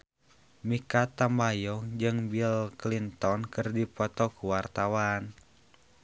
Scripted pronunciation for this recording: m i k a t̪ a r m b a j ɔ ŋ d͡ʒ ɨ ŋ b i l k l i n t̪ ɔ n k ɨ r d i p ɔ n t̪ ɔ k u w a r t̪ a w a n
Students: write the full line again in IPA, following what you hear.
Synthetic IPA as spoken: m i k a t̪ a m b a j ɔ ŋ d͡ʒ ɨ ŋ b i l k l i n t̪ ɔ n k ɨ r d i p ɔ t̪ ɔ k u w a r t̪ a w a n

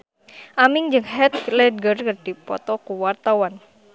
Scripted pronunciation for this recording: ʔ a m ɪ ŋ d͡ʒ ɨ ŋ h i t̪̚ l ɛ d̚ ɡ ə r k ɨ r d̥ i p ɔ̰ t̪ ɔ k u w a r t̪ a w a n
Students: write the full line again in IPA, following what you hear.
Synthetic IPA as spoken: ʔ a m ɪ ŋ d͡ʒ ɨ ŋ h ɛ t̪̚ l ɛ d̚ ɡ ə r k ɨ r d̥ i p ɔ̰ t̪ ɔ k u w a r t̪ a w a n

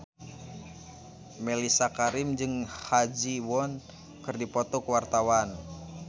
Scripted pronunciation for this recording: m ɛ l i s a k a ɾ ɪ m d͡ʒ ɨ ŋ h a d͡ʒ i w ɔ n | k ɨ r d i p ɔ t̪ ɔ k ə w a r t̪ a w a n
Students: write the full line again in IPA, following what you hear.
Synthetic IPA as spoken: m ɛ l i s a k a ɾ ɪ m d͡ʒ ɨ ŋ h a d͡ʒ i w ɔ n | k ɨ r d i p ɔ t̪ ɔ k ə w a r t̪ a w a n

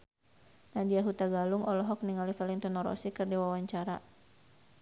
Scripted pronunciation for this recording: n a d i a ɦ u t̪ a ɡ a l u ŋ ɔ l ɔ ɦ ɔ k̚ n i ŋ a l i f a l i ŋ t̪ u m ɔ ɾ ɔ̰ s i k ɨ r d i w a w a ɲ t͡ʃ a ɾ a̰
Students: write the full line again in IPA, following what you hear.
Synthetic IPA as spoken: n a d i a ɦ u t̪ a ɡ a l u ŋ ɔ l ɔ ɦ ɔ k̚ n i ŋ a l i f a l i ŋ t̪ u n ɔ ɾ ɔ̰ s i k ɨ r d i w a w a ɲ t͡ʃ a ɾ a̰

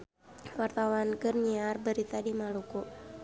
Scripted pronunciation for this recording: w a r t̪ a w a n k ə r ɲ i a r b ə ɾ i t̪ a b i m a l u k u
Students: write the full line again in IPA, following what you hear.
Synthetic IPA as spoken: w a r t̪ a w a n k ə r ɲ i a r b ə ɾ i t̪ a d i m a l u k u

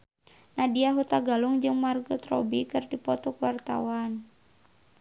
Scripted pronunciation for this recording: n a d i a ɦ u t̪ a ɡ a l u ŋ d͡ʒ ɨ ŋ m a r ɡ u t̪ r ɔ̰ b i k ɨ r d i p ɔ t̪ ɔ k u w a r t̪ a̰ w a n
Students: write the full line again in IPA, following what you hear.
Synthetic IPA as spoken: n a d i a ɦ u t̪ a ɡ a l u ŋ d͡ʒ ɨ ŋ m a r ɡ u t̪ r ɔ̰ b i k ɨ r d i p ɔ t̪ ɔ k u w a r t̪ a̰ w a n

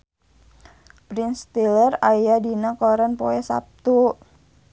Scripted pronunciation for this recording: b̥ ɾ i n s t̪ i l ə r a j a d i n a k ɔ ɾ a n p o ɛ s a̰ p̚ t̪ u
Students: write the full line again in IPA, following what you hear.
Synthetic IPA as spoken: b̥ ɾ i n s t̪ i l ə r a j a d i n a k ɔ ɾ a n p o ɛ s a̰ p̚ t̪ u

